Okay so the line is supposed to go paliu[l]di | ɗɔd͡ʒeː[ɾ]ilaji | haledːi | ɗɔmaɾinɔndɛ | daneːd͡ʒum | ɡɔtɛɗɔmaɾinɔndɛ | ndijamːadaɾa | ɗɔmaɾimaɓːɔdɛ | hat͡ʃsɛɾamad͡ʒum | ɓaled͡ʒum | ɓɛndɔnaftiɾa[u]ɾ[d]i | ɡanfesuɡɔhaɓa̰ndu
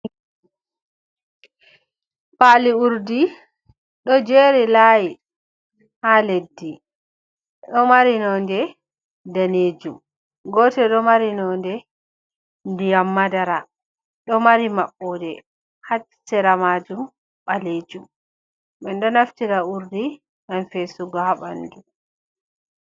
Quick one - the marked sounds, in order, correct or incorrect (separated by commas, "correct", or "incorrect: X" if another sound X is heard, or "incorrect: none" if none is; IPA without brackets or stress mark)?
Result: incorrect: ɾ, correct, correct, correct